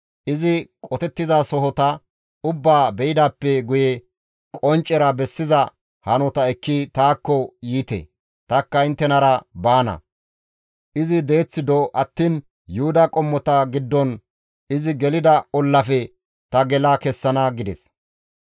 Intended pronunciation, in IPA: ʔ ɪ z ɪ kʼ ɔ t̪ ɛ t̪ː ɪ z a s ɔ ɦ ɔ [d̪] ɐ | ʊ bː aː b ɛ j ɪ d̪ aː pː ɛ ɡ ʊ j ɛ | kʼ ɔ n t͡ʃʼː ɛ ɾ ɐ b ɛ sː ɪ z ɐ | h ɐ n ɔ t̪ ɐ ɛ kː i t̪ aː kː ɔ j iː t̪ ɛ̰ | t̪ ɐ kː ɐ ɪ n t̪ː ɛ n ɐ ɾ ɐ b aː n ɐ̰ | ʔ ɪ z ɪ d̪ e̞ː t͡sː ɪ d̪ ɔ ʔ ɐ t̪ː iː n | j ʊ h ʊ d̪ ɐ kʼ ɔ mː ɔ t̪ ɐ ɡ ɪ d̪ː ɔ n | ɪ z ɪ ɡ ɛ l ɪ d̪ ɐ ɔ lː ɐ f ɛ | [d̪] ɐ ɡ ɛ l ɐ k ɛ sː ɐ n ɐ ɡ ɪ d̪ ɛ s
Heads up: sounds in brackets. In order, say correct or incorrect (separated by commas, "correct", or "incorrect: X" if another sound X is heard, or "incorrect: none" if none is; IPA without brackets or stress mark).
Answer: incorrect: t̪, incorrect: t̪